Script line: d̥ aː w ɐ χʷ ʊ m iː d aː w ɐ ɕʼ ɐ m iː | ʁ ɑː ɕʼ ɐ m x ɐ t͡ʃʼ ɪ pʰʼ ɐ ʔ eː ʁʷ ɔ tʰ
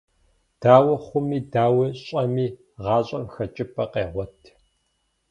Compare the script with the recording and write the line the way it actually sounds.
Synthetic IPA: d̥ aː w ɐ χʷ ʊ m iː d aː w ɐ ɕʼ ɐ m iː | ʁ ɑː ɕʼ ɐ m x ɐ t͡ʃʼ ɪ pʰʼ ɐ q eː ʁʷ ɔ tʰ